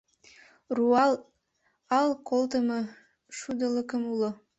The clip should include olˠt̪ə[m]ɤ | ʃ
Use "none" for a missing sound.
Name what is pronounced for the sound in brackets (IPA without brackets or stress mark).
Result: m